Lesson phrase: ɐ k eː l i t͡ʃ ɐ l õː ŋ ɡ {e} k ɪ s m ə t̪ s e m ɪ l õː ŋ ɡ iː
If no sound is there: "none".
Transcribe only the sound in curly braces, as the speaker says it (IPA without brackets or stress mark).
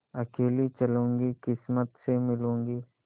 i